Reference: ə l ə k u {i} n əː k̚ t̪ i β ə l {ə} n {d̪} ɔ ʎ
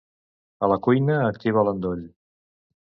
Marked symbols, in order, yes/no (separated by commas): no, yes, yes